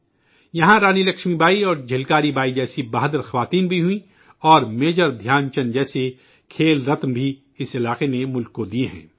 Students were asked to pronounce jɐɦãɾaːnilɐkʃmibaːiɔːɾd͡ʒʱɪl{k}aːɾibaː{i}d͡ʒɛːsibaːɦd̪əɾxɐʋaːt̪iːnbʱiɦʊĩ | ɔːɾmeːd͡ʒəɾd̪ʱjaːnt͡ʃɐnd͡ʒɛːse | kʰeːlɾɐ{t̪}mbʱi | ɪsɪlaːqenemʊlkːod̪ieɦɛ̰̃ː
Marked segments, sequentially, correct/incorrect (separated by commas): correct, correct, correct